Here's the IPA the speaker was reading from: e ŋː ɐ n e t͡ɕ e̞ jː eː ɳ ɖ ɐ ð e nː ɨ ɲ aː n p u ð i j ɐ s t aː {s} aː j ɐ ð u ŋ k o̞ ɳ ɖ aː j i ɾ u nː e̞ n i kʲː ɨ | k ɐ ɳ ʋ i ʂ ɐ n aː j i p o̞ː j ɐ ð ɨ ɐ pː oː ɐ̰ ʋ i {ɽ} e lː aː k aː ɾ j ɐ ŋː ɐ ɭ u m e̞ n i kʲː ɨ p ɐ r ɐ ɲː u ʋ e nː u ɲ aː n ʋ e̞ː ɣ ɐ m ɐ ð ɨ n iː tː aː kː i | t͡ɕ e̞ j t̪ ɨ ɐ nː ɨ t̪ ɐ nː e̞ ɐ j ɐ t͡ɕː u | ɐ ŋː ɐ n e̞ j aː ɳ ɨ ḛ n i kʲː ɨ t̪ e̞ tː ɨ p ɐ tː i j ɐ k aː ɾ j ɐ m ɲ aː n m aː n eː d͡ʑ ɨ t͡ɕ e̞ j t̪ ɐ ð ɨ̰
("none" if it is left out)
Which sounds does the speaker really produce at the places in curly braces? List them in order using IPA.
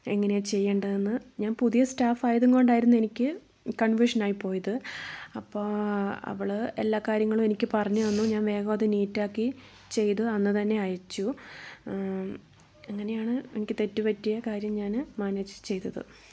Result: f, ɭ

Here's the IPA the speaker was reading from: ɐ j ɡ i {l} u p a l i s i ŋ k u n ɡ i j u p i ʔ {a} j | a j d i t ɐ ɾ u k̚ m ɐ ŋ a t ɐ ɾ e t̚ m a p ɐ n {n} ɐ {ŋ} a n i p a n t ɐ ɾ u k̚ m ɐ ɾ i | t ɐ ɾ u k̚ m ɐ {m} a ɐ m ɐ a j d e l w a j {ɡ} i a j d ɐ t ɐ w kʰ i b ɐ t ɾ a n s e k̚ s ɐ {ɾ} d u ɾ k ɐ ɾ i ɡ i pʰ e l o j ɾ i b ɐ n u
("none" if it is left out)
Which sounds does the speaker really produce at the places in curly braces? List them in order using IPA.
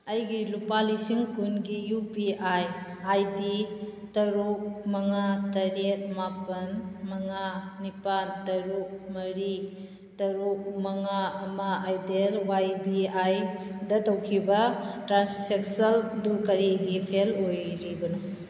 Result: l, a, m, ŋ, ŋ, b, l

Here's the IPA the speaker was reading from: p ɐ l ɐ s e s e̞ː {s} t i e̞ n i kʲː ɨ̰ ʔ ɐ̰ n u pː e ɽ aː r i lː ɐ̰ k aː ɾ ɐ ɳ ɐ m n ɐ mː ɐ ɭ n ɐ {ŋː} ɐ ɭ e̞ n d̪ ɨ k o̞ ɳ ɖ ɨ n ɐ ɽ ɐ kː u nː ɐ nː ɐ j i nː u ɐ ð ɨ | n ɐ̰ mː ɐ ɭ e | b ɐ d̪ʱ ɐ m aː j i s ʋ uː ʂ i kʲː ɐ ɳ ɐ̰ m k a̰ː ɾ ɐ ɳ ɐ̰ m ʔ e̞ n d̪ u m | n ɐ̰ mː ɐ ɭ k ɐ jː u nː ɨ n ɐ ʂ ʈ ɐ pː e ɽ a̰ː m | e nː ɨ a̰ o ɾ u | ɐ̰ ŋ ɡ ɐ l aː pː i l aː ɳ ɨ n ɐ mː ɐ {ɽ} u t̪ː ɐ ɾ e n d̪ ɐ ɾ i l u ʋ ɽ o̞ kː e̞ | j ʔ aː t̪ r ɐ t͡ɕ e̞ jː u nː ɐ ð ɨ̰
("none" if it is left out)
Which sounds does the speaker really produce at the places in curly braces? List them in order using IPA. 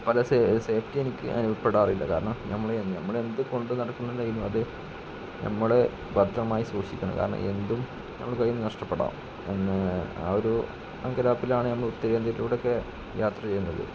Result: f, mː, ɭ

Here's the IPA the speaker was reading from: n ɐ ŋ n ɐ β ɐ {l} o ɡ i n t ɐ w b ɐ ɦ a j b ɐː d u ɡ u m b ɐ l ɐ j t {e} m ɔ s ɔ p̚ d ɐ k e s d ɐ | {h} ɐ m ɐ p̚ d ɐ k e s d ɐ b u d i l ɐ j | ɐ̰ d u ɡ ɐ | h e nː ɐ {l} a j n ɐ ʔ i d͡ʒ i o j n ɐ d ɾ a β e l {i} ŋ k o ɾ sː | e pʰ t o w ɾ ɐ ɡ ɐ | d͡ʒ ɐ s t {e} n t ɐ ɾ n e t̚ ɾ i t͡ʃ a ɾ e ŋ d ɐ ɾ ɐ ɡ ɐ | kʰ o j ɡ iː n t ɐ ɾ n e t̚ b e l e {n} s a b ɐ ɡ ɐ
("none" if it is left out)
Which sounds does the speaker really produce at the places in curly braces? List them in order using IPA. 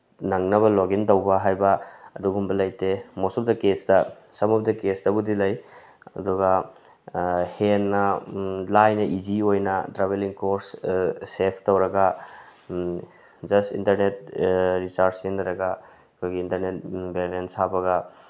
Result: l, e, s, l, i, i, n

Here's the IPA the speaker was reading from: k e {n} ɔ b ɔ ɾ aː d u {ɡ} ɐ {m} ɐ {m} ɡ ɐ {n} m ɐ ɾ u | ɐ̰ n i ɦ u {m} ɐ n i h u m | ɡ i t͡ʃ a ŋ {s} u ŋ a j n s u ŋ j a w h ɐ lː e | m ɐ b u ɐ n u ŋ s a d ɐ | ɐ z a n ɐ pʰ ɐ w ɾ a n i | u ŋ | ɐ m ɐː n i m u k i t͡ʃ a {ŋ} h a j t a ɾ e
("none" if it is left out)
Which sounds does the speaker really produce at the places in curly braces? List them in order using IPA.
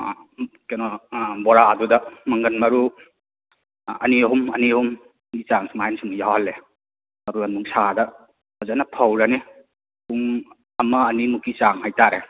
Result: n, d, m, ŋ, n, m, s, ŋ

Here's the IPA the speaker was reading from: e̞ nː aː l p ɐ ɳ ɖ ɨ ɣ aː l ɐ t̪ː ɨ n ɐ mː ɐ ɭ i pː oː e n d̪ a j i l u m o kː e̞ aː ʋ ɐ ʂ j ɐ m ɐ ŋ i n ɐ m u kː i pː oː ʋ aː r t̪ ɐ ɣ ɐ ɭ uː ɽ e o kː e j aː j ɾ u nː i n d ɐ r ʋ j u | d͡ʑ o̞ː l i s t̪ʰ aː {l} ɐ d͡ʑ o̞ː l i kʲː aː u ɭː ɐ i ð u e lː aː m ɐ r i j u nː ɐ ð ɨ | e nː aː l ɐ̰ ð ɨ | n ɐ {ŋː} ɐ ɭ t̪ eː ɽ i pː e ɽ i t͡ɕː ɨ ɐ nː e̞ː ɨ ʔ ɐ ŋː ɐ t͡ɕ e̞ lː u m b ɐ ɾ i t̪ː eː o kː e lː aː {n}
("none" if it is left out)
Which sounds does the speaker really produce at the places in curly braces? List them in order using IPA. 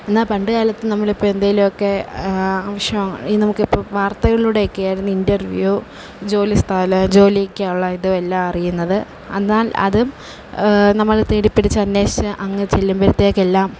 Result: l, mː, m

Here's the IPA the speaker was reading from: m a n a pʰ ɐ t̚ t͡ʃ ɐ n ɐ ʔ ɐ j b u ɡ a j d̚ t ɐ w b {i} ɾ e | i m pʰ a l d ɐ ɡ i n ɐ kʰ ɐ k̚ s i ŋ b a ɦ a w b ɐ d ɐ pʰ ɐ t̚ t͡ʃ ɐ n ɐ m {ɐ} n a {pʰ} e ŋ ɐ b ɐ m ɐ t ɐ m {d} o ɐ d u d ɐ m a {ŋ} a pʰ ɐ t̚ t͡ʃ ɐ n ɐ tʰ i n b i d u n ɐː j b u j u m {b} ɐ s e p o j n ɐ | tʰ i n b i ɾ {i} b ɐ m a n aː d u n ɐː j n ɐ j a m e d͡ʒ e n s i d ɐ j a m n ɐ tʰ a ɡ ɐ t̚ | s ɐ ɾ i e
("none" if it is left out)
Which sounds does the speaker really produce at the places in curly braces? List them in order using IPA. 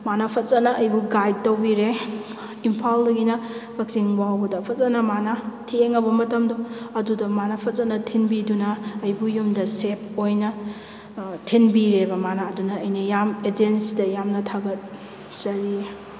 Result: i, a, tʰ, d, n, d, e

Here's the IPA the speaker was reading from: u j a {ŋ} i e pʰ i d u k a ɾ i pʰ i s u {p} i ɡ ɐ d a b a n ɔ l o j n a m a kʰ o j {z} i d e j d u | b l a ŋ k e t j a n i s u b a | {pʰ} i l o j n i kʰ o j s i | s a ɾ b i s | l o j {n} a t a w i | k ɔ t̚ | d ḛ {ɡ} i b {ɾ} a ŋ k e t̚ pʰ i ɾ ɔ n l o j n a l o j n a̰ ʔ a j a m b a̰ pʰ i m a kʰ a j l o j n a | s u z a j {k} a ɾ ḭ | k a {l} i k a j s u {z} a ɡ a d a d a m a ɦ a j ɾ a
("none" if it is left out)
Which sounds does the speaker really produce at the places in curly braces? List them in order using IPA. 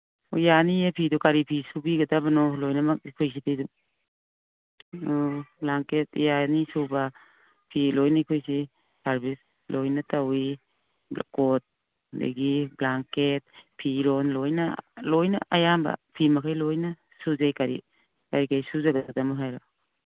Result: n, b, s, pʰ, n, ɡ, l, k, ɾ, z

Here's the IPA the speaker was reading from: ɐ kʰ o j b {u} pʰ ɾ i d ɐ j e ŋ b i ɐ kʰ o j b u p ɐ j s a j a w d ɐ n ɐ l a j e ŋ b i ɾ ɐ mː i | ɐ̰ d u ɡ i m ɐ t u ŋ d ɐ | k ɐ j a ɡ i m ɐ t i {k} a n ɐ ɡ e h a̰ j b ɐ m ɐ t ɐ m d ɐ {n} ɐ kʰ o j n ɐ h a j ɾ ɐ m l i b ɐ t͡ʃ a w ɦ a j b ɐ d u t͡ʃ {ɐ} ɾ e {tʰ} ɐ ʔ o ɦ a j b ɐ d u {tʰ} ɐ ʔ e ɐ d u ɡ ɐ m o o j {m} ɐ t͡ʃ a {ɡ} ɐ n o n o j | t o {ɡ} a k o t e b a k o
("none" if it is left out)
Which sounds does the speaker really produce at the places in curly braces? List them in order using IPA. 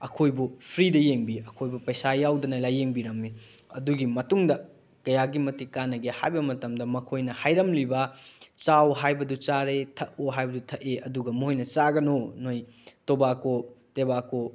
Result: u, k, m, a, tʰ, tʰ, n, ɡ, b

